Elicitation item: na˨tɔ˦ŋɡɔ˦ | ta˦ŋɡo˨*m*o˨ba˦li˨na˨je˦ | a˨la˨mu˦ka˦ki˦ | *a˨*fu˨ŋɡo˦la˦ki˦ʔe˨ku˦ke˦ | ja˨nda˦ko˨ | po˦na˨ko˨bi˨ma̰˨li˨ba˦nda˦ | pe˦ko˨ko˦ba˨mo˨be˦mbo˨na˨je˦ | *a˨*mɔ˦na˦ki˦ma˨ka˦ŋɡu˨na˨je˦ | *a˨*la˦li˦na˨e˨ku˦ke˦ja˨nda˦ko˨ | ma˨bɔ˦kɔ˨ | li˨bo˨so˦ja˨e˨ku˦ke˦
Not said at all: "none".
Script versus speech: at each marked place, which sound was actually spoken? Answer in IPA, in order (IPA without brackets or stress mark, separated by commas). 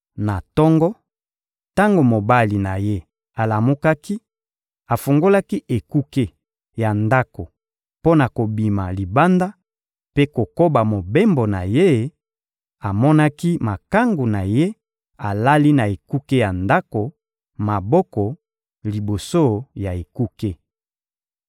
m, a˨, a˨, a˨